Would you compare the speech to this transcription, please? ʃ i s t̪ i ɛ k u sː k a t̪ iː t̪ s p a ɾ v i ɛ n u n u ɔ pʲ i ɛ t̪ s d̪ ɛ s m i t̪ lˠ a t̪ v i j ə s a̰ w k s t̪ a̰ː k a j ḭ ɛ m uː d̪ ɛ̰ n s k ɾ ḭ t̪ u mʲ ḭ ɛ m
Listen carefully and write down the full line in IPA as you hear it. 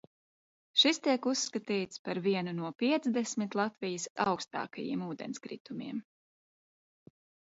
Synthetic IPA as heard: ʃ i s t̪ i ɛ k u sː k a t̪ iː t̪ s p a ɾ v i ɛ n u n u ɔ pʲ i ɛ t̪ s d̪ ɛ s m i t̪ lˠ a t̪ v i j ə s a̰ w k s t̪ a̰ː k a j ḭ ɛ m uː d̪ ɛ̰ n s k ɾ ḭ t̪ u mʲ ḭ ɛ m

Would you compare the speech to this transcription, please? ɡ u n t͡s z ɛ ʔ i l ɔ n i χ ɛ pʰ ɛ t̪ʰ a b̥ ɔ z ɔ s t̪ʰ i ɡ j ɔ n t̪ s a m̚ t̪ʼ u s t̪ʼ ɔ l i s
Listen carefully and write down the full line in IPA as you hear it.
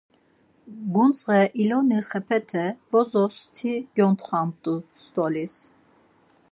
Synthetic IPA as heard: ɡ u n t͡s ʁ ɛ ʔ i l ɔ n i χ ɛ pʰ ɛ t̪ʰ ɛ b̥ ɔ z ɔ s t̪ʰ i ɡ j ɔ n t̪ χ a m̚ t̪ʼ u s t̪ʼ ɔ l i s

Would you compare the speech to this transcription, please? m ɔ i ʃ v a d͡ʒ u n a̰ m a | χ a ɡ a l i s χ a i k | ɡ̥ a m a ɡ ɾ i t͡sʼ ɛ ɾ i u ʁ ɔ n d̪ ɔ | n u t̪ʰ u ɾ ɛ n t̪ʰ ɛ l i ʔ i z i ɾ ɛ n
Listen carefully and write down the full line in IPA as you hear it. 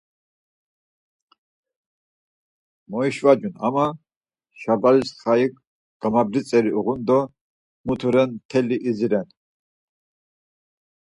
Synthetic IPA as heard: m ɔ i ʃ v a d͡ʒ u n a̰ m a | ʃ a b a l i s χ a i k | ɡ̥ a m a b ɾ i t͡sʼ ɛ ɾ i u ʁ u n d̪ ɔ | m u t̪ʰ u ɾ ɛ n t̪ʰ ɛ l i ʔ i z i ɾ ɛ n

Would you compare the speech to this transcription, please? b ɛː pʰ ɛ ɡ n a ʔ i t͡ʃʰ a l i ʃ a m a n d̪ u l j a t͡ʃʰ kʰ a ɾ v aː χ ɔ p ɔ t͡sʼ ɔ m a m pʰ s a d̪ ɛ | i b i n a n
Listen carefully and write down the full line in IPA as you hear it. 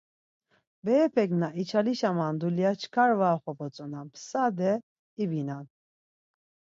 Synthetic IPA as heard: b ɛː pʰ ɛ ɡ n a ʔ i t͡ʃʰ a l i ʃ a m a n d̪ u l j a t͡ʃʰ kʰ a ɾ v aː χ ɔ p ɔ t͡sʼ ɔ n a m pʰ s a d̪ ɛ | i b i n a n

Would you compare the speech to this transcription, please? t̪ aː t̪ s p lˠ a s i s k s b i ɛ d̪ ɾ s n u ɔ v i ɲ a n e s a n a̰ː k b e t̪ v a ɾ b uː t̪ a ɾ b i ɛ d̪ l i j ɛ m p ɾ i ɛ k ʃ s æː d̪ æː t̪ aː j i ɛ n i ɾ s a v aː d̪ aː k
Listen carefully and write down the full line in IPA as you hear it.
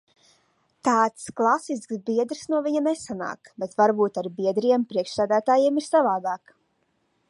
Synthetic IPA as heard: t̪ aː t̪ s k lˠ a s i s k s b i ɛ d̪ ɾ s n u ɔ v i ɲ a n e s a n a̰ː k b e t̪ v a ɾ b uː t̪ a ɾ b i ɛ d̪ ɾ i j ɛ m p ɾ i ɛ k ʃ s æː d̪ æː t̪ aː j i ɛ m i ɾ s a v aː d̪ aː k

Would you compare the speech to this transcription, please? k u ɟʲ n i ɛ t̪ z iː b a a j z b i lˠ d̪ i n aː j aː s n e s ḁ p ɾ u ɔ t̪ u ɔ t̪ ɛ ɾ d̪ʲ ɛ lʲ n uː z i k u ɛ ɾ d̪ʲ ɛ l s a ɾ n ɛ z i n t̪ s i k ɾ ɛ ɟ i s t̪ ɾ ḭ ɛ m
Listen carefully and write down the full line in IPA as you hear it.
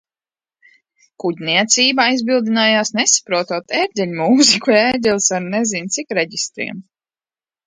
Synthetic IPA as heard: k u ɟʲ n i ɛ t̪ s iː b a a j z b i lˠ d̪ i n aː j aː s n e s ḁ p ɾ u ɔ t̪ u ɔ t̪ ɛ ɾ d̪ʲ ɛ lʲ m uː z i k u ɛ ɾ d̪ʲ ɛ l s a ɾ n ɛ z i n t̪ s i k ɾ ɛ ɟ i s t̪ ɾ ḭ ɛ m

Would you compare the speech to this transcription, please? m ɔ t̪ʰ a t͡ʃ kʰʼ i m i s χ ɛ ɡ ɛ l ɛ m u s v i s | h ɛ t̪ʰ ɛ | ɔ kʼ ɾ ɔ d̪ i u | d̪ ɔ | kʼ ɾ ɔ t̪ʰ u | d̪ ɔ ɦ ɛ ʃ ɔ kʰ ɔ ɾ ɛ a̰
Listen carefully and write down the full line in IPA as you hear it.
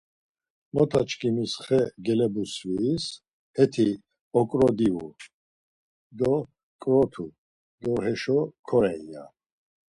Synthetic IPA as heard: m ɔ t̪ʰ a t͡ʃ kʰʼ i m i s χ ɛ ɡ ɛ l ɛ b u s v i s | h ɛ t̪ʰ i | ɔ kʼ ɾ ɔ d̪ i u | d̪ ɔ | kʼ ɾ ɔ t̪ʰ u | d̪ ɔ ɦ ɛ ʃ ɔ kʰ ɔ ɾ ɛ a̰

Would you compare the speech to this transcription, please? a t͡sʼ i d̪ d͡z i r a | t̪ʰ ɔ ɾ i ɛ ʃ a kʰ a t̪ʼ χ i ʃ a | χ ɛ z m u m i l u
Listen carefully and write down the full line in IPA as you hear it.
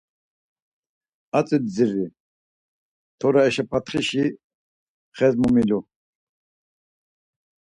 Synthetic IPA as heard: a t͡sʼ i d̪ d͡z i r i | t̪ʰ ɔ ɾ a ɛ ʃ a pʰ a t̪ χ i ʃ i | χ ɛ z m u m i l u

